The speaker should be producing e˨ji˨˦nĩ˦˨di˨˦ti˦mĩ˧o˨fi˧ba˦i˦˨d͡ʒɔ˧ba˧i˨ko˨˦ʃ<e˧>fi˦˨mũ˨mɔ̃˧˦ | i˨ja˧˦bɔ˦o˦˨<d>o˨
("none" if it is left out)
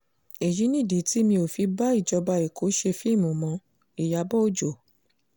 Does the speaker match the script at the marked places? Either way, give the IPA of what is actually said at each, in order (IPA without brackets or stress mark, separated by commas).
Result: e˧, d͡ʒ